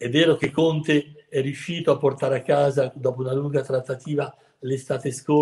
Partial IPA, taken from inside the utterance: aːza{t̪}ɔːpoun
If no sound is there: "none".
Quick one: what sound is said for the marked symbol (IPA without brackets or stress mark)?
d̪